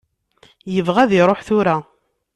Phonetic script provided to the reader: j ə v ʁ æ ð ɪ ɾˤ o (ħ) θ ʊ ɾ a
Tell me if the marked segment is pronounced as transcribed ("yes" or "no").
yes